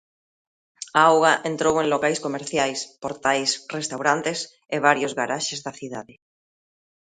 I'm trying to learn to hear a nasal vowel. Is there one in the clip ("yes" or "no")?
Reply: no